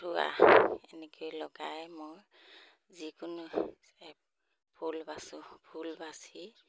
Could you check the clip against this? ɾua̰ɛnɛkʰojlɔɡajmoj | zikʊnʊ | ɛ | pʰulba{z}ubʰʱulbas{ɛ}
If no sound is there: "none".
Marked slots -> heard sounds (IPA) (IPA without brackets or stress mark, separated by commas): s, i